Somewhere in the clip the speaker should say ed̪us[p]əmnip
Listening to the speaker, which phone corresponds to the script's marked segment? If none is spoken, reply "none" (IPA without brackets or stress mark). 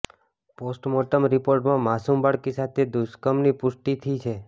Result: k